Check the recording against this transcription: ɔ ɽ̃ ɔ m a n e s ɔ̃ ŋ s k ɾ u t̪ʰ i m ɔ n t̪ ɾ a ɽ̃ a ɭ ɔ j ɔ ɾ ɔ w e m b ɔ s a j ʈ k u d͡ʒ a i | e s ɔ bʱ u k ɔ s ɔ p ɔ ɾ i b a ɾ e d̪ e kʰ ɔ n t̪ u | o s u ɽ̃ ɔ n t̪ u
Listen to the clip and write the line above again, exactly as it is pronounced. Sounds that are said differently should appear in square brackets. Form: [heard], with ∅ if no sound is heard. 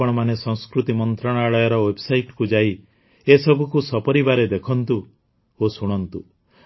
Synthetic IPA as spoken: ɔ ɽ̃ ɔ m a n e s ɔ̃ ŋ s k ɾ u [t̪] i m ɔ n t̪ ɾ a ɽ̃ a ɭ ɔ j ɔ ɾ ɔ w e [∅] b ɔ s a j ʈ k u d͡ʒ a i | e s ɔ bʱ u k [u] s ɔ p ɔ ɾ i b a ɾ e d̪ e kʰ ɔ n t̪ u | o s u ɽ̃ ɔ n t̪ u